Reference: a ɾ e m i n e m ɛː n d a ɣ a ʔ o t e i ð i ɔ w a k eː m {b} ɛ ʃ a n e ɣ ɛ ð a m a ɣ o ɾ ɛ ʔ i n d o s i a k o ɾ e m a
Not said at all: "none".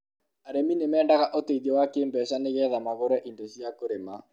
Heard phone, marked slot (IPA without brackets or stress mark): b